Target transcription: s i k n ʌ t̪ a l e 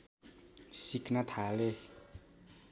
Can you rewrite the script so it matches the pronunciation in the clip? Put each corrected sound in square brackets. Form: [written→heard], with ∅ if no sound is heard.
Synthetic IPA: s i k n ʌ [t̪→t̪ʰ] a l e